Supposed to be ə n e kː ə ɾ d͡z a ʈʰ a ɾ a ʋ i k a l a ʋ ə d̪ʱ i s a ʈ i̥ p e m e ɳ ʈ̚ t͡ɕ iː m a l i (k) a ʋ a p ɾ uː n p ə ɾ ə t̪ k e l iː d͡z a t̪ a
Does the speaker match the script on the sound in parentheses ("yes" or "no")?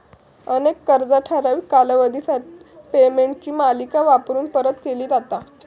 yes